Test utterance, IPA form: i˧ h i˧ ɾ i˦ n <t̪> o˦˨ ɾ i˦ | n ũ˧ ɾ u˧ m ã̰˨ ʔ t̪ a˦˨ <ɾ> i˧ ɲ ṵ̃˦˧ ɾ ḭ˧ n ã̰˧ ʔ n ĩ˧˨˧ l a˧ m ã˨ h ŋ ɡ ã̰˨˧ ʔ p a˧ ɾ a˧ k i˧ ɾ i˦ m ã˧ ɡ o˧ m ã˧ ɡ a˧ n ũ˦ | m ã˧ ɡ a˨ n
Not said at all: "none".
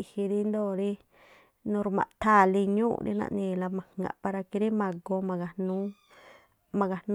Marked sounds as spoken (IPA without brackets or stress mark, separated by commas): d̪, l